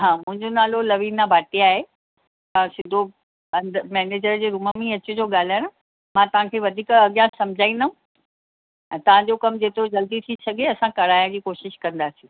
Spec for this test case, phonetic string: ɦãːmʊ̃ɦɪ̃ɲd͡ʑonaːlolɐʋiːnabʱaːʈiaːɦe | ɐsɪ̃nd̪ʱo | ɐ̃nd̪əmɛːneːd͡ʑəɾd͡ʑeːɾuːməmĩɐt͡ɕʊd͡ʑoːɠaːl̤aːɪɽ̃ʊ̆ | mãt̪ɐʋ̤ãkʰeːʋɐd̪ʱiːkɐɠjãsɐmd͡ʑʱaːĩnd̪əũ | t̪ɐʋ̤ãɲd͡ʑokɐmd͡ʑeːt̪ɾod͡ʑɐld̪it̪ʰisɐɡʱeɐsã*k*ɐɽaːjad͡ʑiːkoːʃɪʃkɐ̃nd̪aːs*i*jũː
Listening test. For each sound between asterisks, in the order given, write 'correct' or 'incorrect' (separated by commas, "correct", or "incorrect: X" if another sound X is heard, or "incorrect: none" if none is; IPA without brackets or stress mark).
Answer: correct, correct